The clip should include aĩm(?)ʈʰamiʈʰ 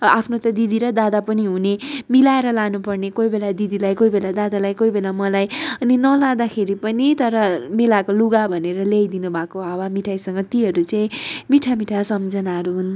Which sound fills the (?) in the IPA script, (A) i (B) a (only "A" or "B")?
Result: A